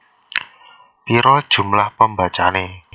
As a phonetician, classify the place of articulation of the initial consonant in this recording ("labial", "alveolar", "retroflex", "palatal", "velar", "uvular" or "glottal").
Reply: labial